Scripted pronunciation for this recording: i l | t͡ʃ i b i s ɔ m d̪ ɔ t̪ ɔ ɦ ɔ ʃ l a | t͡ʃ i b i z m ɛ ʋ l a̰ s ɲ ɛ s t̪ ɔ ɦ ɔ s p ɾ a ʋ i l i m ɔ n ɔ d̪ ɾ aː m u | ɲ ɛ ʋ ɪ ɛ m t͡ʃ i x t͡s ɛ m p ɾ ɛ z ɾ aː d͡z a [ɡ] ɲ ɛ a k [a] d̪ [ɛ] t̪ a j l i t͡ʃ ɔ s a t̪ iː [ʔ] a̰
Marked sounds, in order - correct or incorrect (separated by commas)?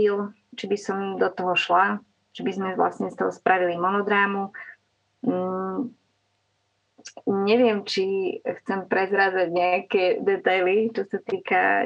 incorrect, incorrect, correct, incorrect